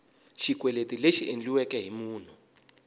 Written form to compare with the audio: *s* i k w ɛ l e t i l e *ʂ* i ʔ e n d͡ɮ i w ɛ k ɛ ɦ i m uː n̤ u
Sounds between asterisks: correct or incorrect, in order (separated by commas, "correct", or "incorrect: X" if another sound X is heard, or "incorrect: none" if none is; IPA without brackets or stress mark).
incorrect: ʃ, incorrect: ʃ